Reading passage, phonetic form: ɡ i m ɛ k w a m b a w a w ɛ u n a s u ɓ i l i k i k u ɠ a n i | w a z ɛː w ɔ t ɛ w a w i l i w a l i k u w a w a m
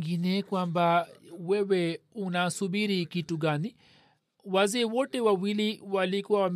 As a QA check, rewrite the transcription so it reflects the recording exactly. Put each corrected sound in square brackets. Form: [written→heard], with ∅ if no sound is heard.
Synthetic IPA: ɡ i [m→n] ɛ k w a m b a w [a→ɛ] w ɛ u n a s u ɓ i [l→ɾ] i k i [k→t] u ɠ a n i | w a z ɛː w ɔ t ɛ w a w i l i w a l i k u w a w a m